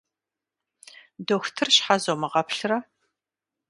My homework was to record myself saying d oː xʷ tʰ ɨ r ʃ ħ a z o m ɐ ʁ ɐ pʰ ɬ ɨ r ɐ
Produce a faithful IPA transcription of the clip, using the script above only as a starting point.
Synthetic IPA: d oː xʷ tʰ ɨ r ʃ ħ a z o m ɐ ʁ ɐ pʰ ɬ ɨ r ɐ